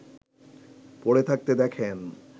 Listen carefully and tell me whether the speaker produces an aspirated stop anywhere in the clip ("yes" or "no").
yes